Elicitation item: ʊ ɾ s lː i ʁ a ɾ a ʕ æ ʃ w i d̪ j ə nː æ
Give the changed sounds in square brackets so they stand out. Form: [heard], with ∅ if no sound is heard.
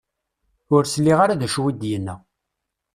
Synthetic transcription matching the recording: ʊ ɾ s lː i ʁ a ɾ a [ð] æ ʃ w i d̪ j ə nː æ